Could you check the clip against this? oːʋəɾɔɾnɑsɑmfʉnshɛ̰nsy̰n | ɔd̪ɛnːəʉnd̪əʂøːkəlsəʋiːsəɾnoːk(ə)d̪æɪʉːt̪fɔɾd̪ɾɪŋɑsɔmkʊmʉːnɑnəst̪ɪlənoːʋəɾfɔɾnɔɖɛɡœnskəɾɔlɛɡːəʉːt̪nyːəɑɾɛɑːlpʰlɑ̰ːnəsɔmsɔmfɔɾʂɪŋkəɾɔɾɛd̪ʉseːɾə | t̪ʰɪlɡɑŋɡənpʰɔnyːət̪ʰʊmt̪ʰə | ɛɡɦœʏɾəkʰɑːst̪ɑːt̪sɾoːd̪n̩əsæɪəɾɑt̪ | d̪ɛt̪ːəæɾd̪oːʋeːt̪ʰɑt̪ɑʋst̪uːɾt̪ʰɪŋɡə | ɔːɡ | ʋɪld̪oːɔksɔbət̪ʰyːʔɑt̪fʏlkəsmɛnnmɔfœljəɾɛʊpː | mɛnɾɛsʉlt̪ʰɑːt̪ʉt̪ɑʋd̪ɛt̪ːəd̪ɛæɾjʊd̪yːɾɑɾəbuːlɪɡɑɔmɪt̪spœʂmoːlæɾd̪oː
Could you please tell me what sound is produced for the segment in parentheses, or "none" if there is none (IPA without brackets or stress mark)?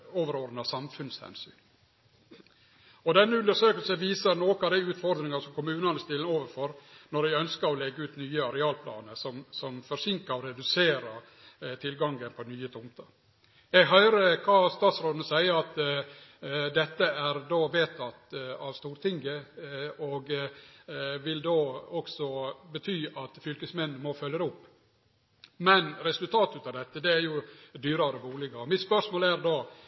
ɑ